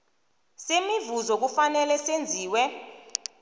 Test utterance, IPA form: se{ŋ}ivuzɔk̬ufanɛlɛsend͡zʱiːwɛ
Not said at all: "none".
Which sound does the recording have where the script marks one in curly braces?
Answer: m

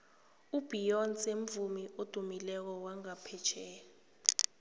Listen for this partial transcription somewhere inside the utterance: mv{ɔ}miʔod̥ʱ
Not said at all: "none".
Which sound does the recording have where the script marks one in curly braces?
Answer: u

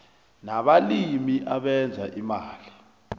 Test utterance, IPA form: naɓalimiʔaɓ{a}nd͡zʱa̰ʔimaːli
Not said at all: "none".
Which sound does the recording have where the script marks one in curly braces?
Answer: ɛ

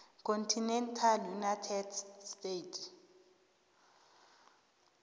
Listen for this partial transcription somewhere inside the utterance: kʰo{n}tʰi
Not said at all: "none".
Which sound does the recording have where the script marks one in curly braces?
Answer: n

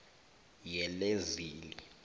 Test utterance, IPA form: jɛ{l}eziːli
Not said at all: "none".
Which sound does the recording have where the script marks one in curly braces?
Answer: l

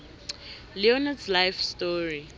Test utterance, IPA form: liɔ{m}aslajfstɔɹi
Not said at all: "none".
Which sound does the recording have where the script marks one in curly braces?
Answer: n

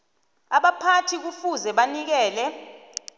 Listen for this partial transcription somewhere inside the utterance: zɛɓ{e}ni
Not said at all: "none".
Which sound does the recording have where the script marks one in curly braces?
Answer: a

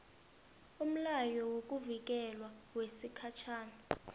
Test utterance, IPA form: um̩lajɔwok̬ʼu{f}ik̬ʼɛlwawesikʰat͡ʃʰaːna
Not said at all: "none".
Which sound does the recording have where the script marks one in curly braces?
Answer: v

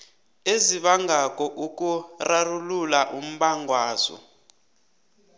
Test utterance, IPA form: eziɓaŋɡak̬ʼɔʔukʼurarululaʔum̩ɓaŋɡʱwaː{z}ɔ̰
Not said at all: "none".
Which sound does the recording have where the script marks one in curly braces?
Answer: z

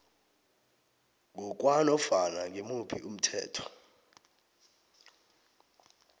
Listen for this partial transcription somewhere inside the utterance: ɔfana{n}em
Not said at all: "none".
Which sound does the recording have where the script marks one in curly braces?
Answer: ŋ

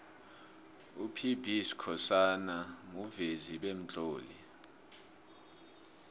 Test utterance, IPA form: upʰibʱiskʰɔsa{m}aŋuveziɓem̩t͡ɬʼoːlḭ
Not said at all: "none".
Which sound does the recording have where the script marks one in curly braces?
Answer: n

